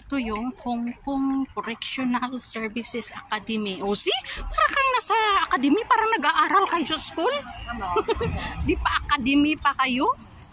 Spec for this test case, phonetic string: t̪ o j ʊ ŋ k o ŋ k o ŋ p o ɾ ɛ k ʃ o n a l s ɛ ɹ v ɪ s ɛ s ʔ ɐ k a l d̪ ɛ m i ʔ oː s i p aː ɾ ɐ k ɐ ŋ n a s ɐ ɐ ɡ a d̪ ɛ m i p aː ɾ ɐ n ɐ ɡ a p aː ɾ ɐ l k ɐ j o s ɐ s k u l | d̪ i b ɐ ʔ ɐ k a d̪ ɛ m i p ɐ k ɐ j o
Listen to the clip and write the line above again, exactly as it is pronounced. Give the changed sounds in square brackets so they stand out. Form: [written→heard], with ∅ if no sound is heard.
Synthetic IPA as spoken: t̪ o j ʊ ŋ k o ŋ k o ŋ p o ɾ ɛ k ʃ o n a l s ɛ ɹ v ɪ s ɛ s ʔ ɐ k a [l→∅] d̪ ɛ m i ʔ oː s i p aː ɾ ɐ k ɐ ŋ n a s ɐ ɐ [ɡ→k] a d̪ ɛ m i p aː ɾ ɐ n ɐ ɡ a [p→ʔ] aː ɾ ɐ l k ɐ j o s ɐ s k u l | d̪ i [b→p] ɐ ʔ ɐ k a d̪ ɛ m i p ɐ k ɐ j o

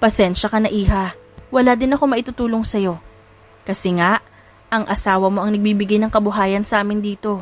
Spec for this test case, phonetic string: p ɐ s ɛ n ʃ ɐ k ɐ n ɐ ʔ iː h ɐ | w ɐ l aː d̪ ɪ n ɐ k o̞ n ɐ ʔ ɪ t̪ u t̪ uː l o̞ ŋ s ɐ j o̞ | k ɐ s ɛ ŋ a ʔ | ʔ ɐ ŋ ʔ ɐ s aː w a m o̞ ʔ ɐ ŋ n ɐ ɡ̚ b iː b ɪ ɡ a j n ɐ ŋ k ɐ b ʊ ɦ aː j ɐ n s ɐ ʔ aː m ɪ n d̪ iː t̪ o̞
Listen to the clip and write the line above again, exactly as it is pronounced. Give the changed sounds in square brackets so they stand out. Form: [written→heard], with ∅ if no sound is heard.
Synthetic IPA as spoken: p ɐ s ɛ n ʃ ɐ k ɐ n ɐ ʔ iː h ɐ | w ɐ l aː d̪ ɪ n ɐ k o̞ [n→m] ɐ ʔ ɪ t̪ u t̪ uː l o̞ ŋ s ɐ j o̞ | k ɐ s ɛ ŋ a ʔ | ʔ ɐ ŋ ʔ ɐ s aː w [a→ɐ] m o̞ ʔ ɐ ŋ n ɐ ɡ̚ b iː b ɪ ɡ a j n ɐ ŋ k ɐ b ʊ ɦ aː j ɐ n s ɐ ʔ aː m ɪ n d̪ iː t̪ o̞

